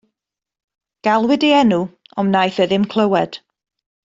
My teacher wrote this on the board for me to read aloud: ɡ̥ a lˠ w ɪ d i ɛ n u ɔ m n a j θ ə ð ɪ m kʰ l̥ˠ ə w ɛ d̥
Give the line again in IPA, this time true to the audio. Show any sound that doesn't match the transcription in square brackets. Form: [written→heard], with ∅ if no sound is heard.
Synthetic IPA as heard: ɡ̥ a lˠ w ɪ d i ɛ n u ɔ m n a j θ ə ð ɪ m kʰ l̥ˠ ə w ɛ d̥